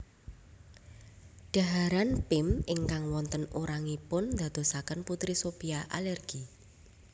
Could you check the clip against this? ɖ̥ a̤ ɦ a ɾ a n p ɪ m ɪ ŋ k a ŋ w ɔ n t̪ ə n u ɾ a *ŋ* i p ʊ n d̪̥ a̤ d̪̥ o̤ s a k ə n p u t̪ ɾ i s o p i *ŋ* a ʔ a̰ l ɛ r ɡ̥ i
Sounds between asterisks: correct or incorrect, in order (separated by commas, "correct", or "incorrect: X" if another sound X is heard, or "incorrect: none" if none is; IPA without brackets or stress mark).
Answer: correct, incorrect: none